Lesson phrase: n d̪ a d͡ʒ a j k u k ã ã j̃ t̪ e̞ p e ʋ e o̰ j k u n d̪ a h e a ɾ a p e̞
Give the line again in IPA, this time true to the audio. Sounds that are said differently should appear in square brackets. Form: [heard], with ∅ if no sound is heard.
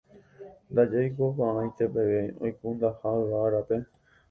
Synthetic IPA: n d̪ a d͡ʒ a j k [o] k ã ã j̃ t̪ e̞ p e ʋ e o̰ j k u n d̪ a h [a] a ɾ a p e̞